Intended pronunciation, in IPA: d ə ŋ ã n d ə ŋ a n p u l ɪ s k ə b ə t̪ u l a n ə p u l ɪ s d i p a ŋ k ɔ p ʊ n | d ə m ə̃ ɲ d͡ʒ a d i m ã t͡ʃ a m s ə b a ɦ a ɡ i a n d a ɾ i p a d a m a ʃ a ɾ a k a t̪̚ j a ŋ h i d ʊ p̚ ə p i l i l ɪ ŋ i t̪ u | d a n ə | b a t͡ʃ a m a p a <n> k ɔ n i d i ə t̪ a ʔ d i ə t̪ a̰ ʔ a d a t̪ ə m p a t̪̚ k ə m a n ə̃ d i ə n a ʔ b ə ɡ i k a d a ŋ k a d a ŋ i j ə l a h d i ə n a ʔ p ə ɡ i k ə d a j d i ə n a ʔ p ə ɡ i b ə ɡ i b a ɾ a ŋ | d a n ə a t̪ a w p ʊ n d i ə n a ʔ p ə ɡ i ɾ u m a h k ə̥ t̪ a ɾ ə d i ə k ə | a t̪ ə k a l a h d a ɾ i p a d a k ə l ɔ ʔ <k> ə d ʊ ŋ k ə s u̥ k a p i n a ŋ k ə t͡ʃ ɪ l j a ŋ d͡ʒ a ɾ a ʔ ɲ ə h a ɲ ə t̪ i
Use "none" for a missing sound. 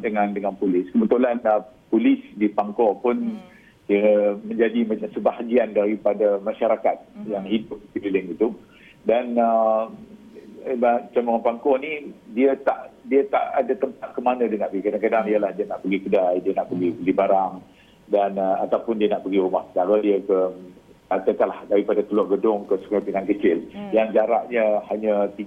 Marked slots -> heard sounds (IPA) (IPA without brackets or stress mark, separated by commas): ŋ, ɡ